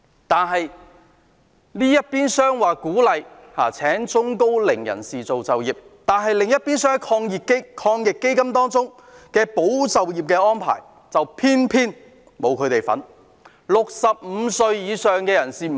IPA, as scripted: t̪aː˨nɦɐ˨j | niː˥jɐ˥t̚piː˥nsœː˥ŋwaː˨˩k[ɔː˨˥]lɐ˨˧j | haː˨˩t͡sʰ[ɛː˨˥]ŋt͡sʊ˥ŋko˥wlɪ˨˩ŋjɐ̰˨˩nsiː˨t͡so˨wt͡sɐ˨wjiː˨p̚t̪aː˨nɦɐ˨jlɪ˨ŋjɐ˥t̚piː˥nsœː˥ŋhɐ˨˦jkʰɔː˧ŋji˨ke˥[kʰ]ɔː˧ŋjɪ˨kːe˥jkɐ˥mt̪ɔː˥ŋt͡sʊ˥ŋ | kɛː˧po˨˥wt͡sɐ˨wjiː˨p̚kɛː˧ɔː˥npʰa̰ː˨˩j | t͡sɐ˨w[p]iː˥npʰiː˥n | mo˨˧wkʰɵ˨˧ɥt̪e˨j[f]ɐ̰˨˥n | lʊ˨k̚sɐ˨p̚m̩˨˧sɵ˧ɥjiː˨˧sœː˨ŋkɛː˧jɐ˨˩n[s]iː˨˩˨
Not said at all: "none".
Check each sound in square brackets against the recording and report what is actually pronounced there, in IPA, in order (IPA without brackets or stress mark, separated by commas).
uː˨˥, ɛː˨˥, kʰ, pʰ, f, s